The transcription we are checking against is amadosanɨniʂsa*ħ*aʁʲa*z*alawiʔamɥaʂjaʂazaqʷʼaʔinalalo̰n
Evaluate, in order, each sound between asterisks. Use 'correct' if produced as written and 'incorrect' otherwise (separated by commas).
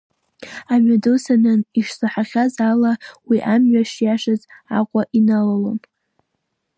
correct, correct